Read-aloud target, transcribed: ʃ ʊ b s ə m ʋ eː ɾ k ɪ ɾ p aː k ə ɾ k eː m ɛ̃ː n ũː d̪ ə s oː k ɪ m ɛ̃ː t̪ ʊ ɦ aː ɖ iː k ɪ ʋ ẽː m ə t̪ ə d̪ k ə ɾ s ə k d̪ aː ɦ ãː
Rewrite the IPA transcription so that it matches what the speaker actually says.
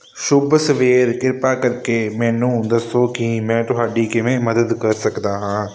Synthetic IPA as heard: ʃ ʊ b s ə ʋ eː ɾ k ɪ ɾ p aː k ə ɾ k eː m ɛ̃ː n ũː d̪ ə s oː k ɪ m ɛ̃ː t̪ ʊ ɦ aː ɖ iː k ɪ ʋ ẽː m ə d̪ ə d̪ k ə ɾ s ə k d̪ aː ɦ ãː